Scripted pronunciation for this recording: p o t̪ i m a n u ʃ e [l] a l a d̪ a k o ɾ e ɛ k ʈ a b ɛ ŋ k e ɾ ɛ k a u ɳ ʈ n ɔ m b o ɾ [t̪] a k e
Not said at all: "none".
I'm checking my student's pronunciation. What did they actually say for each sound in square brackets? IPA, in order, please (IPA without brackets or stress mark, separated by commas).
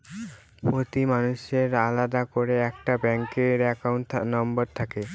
ɾ, t̪ʰ